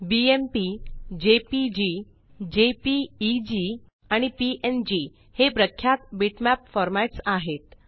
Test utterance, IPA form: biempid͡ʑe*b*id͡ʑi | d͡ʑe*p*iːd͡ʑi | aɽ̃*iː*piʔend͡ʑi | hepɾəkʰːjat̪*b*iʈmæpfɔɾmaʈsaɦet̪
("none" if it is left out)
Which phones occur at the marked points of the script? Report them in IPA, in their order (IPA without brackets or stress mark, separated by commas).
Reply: p, p, i, b